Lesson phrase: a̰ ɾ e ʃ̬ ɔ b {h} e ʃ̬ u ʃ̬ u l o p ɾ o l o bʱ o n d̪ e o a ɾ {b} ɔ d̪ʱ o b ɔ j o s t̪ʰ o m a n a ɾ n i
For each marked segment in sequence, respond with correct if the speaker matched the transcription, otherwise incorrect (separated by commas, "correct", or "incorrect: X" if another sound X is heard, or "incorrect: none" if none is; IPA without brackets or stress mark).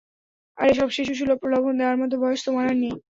incorrect: ʃ, incorrect: m